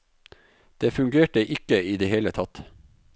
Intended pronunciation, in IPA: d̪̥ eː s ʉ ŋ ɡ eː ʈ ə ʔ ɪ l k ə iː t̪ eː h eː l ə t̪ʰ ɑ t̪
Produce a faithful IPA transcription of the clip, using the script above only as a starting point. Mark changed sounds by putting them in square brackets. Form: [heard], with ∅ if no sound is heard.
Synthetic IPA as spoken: d̪̥ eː [f] ʉ ŋ ɡ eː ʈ ə ʔ ɪ [∅] k ə iː [d̪] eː h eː l ə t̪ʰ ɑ t̪